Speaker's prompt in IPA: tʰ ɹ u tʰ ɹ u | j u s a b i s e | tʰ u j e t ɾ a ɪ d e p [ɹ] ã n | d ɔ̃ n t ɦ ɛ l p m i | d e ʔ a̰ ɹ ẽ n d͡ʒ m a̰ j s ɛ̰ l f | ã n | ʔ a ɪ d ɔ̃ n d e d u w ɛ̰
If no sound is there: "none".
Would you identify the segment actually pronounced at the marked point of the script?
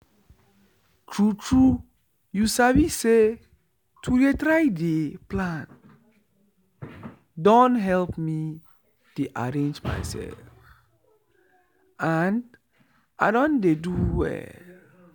l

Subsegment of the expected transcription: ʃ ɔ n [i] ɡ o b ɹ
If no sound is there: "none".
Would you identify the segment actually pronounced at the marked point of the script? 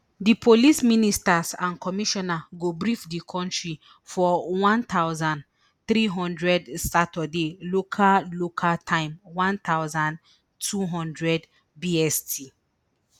a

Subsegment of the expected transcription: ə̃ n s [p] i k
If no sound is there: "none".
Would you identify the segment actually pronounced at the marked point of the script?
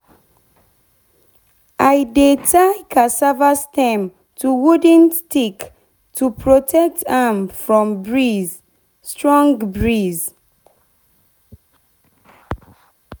t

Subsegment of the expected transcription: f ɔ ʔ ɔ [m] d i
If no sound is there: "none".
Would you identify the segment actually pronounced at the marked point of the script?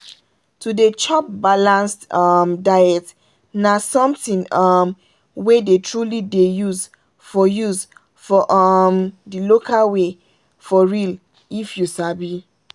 m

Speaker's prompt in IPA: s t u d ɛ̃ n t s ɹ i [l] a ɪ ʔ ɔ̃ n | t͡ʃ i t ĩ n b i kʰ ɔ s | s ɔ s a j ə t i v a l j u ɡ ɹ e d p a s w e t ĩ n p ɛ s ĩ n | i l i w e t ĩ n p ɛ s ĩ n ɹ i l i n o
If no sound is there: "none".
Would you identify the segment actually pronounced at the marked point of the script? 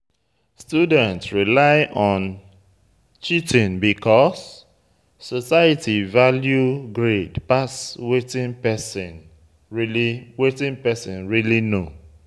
l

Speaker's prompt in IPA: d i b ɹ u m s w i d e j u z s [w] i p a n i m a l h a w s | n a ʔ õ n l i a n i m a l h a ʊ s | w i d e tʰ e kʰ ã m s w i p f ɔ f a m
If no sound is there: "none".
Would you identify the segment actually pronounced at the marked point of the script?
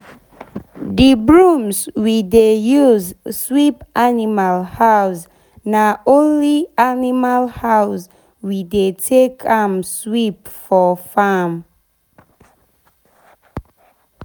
w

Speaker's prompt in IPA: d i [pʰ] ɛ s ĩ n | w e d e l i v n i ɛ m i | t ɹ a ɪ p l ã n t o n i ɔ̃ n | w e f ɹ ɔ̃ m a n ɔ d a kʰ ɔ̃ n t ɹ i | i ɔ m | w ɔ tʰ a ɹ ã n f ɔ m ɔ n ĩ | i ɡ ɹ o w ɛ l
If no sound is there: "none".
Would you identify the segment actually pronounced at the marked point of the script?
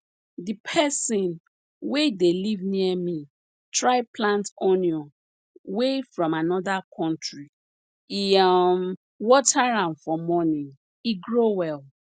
pʰ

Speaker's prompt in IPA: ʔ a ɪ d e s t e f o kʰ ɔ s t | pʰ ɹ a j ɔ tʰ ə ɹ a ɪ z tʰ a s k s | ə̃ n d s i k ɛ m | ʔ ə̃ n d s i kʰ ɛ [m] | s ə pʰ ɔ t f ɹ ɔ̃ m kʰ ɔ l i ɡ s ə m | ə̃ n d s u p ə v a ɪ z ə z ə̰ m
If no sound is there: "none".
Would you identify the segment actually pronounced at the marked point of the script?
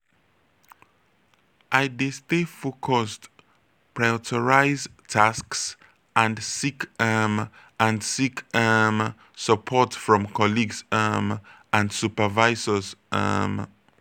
m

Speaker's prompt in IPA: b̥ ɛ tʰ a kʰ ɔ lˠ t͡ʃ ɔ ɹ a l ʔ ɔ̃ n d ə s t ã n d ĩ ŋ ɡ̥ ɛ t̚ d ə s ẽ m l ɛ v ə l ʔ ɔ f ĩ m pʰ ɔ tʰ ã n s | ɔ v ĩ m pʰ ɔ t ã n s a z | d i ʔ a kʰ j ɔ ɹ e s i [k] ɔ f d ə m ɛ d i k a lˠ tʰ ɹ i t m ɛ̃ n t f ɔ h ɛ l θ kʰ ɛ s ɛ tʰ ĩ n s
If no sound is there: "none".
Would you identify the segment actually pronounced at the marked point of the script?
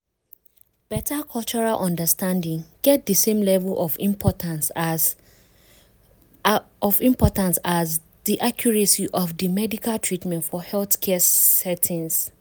ʔ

